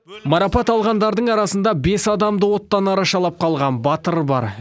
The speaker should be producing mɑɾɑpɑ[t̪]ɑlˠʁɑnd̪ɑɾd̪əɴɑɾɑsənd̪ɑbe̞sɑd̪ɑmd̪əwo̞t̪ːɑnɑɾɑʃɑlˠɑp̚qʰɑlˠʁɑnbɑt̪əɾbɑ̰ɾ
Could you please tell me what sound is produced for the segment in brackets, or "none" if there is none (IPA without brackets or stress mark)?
t̪